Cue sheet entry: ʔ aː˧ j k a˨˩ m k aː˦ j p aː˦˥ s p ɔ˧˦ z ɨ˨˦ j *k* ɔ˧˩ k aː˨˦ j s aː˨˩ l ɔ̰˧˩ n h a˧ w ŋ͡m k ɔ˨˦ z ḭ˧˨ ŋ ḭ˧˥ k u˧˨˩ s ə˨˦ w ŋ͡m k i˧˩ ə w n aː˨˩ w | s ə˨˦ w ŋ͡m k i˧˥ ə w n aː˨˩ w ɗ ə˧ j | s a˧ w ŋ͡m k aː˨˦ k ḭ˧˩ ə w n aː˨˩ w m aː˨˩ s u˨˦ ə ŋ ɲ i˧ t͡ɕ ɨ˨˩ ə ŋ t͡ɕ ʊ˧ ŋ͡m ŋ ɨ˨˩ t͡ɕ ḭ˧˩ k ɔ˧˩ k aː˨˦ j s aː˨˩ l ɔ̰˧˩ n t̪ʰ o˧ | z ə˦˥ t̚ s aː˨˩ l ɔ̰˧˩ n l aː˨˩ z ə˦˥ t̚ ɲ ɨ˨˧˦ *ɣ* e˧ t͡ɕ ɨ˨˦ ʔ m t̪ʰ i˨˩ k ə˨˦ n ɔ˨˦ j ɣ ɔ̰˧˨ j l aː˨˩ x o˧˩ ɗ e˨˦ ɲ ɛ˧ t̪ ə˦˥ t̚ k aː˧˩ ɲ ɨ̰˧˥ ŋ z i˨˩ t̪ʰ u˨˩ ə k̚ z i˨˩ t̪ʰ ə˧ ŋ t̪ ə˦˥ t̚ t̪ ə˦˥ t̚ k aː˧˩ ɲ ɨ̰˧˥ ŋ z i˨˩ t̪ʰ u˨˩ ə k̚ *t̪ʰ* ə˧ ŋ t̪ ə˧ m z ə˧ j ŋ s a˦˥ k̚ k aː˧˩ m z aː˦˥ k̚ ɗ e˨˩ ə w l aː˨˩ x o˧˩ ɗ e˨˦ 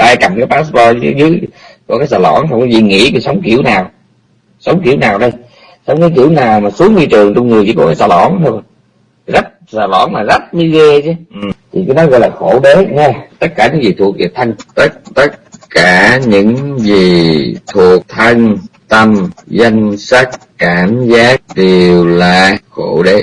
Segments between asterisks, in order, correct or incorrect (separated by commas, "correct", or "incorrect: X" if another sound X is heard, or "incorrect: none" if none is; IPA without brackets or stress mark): correct, correct, correct